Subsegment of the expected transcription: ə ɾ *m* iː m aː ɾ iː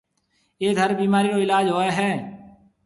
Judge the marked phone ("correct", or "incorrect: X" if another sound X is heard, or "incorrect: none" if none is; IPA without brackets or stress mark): incorrect: b